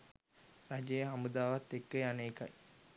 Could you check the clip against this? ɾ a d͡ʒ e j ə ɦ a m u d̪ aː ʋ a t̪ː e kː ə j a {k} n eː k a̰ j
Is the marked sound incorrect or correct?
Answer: incorrect